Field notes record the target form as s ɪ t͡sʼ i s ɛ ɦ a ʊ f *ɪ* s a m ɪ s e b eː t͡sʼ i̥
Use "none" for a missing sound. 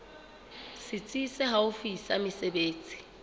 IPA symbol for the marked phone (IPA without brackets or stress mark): i